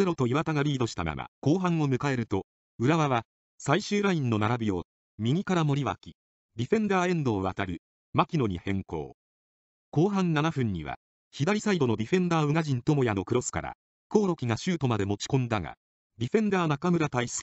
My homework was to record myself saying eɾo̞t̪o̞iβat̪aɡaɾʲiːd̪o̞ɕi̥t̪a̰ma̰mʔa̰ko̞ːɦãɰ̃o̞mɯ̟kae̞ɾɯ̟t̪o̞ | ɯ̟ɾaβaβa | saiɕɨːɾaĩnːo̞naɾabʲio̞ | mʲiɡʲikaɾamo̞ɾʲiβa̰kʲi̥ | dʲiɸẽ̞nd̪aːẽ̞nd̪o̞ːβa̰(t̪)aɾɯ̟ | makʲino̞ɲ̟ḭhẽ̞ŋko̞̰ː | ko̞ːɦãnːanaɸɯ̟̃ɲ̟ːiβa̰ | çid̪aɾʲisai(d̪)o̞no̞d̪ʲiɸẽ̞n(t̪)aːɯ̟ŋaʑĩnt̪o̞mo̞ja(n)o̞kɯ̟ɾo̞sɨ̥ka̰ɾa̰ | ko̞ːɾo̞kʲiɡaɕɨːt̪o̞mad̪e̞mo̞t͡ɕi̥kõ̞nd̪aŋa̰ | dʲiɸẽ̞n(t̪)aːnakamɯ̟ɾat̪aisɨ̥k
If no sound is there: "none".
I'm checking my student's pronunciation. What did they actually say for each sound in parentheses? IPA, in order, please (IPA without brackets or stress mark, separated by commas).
t̪, d̪, d̪, n, d̪